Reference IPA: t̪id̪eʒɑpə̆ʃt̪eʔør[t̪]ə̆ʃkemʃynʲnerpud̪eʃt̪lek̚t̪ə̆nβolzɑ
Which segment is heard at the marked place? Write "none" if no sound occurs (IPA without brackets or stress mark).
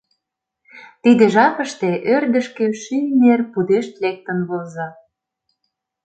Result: d̪